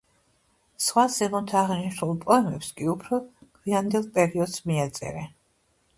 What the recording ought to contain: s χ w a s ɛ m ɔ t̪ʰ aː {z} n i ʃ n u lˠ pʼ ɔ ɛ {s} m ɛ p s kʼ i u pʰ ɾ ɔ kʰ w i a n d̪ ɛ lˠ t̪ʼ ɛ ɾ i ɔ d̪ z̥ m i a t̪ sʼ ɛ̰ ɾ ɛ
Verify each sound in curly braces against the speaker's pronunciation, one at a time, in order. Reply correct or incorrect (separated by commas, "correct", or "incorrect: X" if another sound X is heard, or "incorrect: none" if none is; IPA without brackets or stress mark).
incorrect: ʁ, incorrect: none